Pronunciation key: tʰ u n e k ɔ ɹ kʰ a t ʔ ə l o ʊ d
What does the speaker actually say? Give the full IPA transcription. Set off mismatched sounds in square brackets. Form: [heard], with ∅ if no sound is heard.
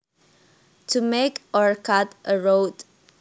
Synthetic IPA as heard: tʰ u [m] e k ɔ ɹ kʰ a t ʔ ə [ɹ] o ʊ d